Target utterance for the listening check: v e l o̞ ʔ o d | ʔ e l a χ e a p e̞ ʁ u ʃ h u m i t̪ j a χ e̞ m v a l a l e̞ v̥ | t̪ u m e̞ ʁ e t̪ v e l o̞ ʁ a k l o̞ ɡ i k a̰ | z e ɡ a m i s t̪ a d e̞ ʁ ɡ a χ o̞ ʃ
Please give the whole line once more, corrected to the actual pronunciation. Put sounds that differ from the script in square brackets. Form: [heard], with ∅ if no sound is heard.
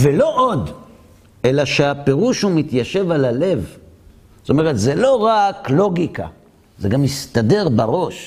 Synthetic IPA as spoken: v e l o̞ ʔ o d | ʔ e l a [ʃ] e a p e̞ ʁ u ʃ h u m i t̪ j a [ʃ] e̞ [∅] v a l a l e̞ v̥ | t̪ [o] m e̞ ʁ e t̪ [z] e l o̞ ʁ a k l o̞ ɡ i k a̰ | z e ɡ a m i s t̪ a d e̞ ʁ [b] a [ʁ] o̞ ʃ